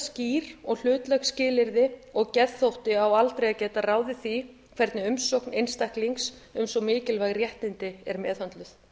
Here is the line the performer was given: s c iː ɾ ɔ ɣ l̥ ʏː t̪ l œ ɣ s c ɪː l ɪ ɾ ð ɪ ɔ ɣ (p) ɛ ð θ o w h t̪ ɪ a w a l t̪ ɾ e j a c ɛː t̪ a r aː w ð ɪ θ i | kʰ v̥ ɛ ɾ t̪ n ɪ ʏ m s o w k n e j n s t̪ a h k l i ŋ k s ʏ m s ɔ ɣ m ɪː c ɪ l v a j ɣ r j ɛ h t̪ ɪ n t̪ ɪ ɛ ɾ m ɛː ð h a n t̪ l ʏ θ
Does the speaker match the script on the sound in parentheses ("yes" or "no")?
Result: no